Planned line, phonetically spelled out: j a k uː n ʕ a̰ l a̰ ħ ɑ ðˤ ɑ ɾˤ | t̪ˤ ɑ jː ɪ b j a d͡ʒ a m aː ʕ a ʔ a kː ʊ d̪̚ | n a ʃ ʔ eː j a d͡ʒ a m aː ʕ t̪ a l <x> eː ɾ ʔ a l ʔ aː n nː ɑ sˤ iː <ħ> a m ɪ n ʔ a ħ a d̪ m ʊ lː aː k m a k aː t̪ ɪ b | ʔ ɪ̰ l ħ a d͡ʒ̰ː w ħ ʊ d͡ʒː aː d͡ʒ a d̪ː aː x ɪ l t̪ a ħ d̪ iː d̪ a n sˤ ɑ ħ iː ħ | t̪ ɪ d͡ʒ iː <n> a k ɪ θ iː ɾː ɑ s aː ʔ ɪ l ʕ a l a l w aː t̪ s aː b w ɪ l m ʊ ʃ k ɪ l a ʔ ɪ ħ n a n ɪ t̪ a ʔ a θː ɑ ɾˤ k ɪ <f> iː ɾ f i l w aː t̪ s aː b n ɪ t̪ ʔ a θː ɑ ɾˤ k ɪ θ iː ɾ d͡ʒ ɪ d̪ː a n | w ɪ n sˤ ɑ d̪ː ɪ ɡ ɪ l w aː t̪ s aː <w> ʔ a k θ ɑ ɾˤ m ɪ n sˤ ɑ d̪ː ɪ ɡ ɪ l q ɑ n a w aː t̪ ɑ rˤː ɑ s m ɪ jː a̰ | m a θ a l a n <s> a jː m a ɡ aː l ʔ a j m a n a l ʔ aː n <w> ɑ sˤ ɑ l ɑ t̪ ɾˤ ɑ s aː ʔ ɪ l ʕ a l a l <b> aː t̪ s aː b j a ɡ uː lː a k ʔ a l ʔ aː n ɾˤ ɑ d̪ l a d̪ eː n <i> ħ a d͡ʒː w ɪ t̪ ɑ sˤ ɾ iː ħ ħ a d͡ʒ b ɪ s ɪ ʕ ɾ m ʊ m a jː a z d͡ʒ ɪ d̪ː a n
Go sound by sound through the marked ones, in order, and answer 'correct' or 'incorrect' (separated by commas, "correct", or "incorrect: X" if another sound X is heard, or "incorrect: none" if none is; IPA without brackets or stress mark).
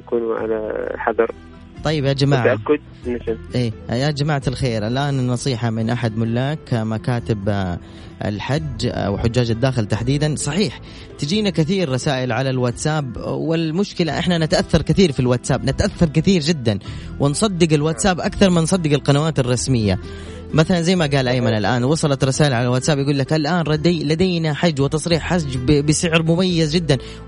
correct, correct, correct, incorrect: θ, incorrect: b, incorrect: z, correct, incorrect: w, incorrect: a